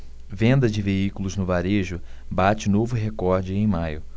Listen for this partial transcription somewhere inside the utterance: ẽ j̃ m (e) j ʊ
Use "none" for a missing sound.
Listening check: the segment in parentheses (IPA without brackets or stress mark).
a